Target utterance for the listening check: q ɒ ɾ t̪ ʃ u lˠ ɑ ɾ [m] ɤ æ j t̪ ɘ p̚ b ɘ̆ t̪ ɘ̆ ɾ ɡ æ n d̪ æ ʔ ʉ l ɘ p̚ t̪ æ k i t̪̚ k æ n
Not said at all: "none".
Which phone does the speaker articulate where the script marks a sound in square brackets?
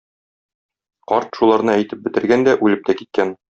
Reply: n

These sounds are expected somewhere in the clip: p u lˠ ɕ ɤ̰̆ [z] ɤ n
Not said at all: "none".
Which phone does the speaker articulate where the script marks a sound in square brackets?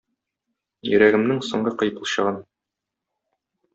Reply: ʁ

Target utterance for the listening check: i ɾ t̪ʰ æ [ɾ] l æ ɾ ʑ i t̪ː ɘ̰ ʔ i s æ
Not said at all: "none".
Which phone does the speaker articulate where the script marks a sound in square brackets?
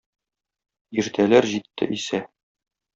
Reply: none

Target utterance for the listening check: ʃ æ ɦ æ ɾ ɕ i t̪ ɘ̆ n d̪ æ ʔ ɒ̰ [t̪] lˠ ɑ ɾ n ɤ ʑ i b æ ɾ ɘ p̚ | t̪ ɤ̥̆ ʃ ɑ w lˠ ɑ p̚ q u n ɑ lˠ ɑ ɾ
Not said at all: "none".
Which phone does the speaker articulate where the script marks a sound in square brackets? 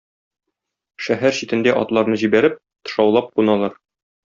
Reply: t̪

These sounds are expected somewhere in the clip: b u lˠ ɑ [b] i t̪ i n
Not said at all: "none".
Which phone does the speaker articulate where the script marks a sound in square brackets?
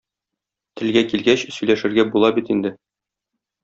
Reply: b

